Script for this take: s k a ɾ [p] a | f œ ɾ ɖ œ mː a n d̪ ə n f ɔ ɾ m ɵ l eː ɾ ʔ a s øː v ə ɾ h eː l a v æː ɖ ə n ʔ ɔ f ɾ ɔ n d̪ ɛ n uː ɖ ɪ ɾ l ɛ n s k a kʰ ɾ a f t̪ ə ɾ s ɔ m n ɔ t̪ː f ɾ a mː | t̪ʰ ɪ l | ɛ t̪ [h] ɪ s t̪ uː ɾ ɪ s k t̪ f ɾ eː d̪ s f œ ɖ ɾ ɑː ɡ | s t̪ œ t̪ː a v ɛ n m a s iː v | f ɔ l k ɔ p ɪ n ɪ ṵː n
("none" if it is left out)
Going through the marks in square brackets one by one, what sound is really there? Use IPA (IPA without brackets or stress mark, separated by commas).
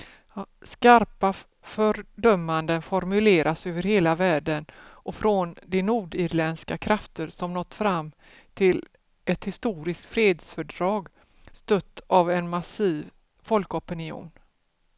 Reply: p, h